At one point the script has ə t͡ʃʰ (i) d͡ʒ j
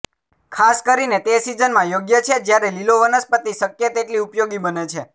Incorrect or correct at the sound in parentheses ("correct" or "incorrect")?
incorrect